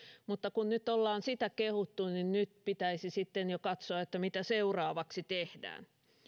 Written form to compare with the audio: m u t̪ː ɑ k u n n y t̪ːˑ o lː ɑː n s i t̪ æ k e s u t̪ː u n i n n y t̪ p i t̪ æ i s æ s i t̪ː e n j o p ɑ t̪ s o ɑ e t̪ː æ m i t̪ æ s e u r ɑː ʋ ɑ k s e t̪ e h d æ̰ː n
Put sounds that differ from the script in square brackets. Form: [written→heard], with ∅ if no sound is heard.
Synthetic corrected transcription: m u t̪ː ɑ k u n n y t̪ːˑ o lː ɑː n s i t̪ æ k e [s→h] u t̪ː u n i n n y t̪ p i t̪ æ i s [æ→i] s i t̪ː e n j o [p→k] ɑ t̪ s o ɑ e t̪ː æ m i t̪ æ s e u r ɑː ʋ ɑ k s [e→i] t̪ e h d æ̰ː n